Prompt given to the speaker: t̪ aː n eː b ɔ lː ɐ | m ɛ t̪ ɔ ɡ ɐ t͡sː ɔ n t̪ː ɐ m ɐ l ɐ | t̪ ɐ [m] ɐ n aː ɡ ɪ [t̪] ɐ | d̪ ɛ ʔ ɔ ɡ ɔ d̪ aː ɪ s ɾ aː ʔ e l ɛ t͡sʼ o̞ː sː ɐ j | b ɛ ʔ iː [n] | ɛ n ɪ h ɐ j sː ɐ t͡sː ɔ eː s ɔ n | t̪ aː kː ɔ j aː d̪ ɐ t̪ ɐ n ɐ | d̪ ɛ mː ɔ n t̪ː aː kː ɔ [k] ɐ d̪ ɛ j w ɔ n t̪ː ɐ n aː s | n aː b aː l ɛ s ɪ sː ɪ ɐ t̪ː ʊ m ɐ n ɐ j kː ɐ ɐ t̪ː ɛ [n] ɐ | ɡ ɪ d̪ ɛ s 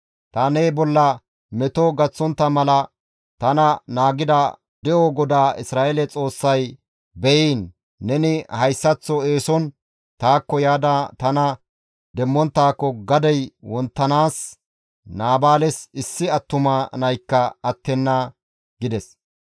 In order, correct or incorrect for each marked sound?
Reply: incorrect, incorrect, incorrect, incorrect, incorrect

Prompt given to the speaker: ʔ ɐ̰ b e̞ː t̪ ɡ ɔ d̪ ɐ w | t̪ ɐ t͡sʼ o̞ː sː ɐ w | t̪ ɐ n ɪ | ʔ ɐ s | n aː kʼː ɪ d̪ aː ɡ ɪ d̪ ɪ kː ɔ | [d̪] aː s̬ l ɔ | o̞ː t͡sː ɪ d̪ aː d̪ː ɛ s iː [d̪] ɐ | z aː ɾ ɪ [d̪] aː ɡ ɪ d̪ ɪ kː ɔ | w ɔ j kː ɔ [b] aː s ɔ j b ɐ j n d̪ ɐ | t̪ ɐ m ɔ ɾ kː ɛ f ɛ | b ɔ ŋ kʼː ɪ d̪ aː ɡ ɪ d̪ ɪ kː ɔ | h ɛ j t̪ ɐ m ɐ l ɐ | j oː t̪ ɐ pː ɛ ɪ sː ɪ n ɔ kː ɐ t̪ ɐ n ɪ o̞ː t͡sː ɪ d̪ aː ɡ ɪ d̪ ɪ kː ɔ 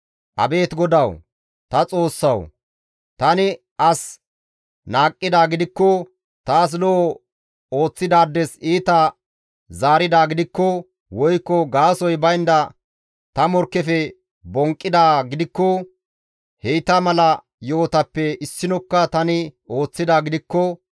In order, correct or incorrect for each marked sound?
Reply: incorrect, incorrect, correct, incorrect

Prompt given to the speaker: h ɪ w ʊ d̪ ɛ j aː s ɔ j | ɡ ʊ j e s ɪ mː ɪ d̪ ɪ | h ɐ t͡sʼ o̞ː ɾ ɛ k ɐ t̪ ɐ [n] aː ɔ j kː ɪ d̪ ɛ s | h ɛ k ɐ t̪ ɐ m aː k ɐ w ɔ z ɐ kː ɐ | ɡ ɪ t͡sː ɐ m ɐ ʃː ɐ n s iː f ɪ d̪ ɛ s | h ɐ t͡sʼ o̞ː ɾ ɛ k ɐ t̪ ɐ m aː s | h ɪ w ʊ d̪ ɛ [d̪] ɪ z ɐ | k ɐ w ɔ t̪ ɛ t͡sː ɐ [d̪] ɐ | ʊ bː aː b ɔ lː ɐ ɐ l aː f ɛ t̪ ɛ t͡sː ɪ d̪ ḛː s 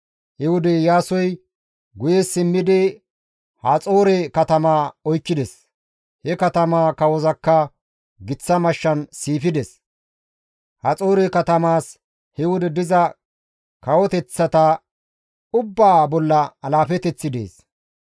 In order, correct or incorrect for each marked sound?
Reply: incorrect, correct, incorrect

